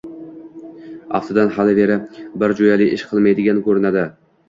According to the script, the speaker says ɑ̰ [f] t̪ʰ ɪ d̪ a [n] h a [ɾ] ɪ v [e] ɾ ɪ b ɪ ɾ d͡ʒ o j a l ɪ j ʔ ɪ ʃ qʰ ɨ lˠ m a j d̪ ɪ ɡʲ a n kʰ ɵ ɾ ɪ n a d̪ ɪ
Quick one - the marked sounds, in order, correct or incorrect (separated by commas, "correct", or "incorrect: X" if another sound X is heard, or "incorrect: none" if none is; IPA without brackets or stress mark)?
correct, correct, incorrect: l, correct